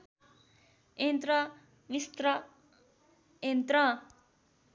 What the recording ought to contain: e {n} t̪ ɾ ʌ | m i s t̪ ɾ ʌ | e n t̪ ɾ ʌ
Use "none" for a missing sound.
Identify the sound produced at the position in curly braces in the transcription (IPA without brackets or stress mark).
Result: n